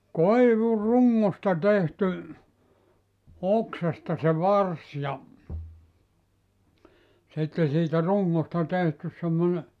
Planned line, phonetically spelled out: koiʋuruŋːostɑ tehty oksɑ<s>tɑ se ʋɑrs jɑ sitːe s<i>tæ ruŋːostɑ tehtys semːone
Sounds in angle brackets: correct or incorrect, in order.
correct, incorrect: iː

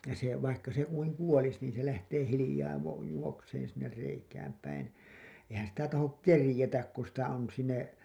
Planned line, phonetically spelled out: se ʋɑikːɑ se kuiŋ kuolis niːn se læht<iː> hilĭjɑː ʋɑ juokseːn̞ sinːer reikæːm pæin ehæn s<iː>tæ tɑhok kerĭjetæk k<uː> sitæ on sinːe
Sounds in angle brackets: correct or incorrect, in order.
incorrect: eː, incorrect: i, incorrect: u

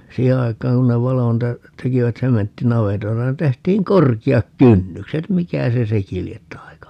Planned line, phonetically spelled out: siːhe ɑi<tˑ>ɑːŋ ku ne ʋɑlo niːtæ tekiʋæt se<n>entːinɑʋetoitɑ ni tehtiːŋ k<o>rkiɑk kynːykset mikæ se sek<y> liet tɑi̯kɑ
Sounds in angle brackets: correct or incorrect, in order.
incorrect: kˑ, incorrect: m, correct, incorrect: i

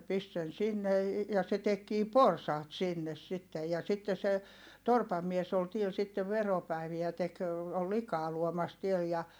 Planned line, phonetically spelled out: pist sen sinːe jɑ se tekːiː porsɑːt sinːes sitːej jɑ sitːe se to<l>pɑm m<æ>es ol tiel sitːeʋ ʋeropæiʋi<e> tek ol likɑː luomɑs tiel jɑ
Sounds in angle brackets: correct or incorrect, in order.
incorrect: r, incorrect: i, incorrect: æ

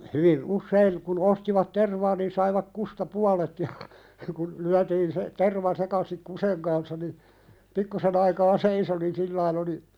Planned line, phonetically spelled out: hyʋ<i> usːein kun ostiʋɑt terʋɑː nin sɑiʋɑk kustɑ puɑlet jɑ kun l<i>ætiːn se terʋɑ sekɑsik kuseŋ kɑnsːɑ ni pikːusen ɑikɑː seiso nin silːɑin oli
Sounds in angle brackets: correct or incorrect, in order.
correct, incorrect: y

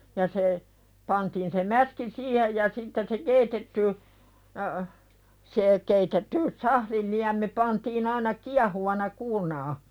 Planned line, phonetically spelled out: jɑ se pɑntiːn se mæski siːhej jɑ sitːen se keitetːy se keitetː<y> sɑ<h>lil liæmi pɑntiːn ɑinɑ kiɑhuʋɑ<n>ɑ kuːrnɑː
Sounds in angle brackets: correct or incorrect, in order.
correct, correct, correct

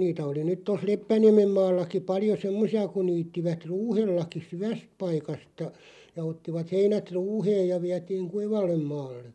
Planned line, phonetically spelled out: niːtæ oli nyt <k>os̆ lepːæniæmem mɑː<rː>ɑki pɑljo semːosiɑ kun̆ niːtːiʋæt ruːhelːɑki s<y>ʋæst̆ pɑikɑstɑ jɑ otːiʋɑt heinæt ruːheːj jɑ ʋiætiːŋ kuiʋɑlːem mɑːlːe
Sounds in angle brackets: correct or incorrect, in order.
incorrect: t, incorrect: lː, correct

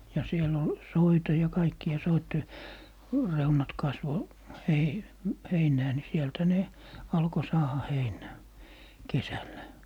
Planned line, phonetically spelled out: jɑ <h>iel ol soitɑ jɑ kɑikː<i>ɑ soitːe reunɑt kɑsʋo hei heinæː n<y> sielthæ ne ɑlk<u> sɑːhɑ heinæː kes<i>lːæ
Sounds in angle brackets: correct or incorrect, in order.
incorrect: s, correct, incorrect: i, incorrect: o, incorrect: æ

